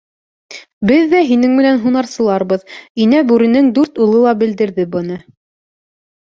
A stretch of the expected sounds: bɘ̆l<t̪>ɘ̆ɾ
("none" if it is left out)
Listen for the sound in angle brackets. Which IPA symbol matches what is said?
d̪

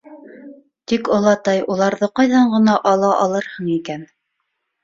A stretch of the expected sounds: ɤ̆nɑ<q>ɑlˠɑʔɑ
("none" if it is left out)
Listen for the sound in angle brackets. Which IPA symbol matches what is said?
ʔ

